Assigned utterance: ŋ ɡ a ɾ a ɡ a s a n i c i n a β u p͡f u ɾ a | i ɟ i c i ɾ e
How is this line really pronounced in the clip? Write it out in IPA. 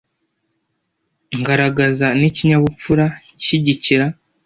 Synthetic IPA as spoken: ŋ ɡ a ɾ a ɡ a z a n i c i ɲ a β u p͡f u ɾ a | i ɟ i c i ɾ a